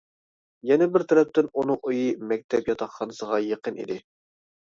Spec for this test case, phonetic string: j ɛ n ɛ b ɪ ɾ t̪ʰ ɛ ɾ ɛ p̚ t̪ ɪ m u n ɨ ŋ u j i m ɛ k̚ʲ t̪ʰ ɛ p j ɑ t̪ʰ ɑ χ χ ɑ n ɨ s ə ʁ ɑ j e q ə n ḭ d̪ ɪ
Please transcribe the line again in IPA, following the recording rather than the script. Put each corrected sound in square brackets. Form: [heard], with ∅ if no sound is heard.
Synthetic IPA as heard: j ɛ n ɛ b ɪ ɾ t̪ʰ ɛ ɾ ɛ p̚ t̪ ɪ [n] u n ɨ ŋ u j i m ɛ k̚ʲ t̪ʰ ɛ p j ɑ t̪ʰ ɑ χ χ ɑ n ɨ s ə ʁ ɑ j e q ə n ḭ d̪ ɪ